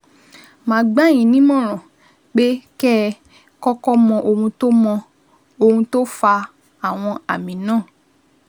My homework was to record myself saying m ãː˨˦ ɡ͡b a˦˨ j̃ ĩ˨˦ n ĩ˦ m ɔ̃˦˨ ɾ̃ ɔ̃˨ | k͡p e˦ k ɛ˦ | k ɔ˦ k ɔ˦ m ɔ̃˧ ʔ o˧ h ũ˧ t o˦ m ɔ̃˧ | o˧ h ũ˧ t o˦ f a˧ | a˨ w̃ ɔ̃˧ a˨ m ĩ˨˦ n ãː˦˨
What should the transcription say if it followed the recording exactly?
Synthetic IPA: m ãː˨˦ ɡ͡b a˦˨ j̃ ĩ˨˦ n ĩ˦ m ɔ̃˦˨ ɾ̃ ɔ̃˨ | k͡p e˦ k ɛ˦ | k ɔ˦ k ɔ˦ m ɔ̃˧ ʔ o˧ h ũ˧ t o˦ m ɔ̃˧ | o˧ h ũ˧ t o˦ f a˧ | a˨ w̃ ɔ̃˧ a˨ m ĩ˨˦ n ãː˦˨